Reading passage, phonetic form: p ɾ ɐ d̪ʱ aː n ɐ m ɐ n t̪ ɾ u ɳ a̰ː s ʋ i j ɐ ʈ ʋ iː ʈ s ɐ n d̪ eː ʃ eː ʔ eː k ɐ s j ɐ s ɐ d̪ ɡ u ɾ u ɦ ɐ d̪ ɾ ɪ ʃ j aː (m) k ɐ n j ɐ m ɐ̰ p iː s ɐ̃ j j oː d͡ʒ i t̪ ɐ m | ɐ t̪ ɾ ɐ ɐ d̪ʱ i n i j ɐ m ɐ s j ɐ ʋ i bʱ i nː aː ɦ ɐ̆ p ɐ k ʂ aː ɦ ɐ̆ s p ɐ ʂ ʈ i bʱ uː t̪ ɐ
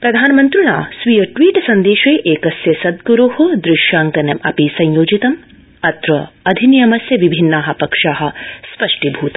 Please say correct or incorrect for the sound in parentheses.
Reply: incorrect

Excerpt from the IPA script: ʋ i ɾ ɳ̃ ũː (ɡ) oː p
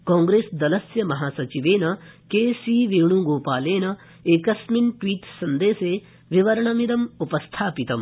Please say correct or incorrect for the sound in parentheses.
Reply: correct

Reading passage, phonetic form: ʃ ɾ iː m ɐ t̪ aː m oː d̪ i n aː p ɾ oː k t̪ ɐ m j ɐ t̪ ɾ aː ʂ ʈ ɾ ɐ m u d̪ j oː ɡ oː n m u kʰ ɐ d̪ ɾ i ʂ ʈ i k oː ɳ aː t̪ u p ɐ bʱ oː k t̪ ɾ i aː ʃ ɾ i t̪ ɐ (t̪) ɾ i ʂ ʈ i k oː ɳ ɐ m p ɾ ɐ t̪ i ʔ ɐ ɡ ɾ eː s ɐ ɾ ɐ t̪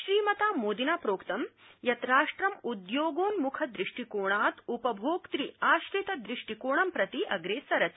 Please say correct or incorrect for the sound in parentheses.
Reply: incorrect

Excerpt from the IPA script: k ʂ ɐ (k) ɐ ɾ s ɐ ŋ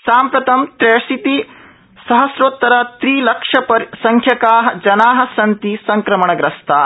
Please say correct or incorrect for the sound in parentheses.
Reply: incorrect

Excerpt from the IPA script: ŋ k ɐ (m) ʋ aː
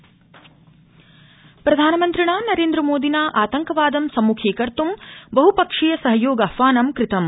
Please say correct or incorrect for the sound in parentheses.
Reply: incorrect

